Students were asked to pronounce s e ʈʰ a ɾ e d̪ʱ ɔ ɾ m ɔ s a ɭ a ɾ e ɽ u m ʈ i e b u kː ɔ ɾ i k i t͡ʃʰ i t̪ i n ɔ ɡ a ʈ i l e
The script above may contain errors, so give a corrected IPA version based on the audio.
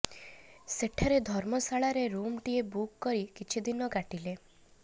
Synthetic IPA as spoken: s e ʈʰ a ɾ e d̪ʱ ɔ ɾ m ɔ s a ɭ a ɾ e ɾ u m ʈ i e b u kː ɔ ɾ i k i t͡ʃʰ i d̪ i n ɔ ɡ a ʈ i l e